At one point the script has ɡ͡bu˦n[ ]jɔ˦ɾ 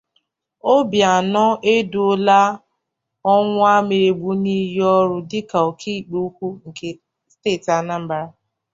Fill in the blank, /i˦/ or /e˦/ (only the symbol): i˦